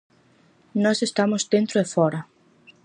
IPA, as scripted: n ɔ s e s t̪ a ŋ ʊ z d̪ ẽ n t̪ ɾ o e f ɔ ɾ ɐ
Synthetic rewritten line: n ɔ s e s t̪ a m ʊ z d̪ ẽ n t̪ ɾ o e f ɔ ɾ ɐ

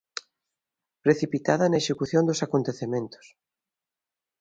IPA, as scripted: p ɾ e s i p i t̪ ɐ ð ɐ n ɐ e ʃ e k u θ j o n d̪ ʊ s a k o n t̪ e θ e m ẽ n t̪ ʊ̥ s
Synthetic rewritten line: p ɾ e θ i p i t̪ a ð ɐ n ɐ e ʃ e k u θ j o n d̪ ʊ s a k o n t̪ e θ e m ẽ n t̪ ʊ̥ s

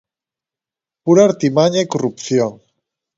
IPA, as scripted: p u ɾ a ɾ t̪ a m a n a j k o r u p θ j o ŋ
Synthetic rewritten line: p u ɾ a ɾ t̪ i m a ɲ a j k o r u p θ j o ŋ

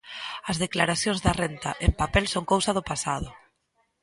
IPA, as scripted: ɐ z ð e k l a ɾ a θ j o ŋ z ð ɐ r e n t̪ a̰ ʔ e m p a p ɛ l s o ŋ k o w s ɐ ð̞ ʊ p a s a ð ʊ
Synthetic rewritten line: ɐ z ð e k l a ɾ a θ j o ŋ z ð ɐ r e n t̪ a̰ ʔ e m p a p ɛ l s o ŋ k o w s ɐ ð̞ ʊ p a s a ð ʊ

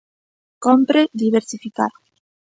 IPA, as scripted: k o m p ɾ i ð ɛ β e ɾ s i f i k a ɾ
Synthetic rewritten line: k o m p ɾ e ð i β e ɾ s i f i k a ɾ

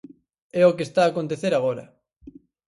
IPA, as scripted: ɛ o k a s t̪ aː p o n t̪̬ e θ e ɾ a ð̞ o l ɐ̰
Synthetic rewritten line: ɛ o k e s t̪ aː k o n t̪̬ e θ e ɾ a ɣ̞ o ɾ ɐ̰

